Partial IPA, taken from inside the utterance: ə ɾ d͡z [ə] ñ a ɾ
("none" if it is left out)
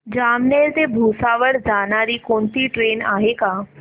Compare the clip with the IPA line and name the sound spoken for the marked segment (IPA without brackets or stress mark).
a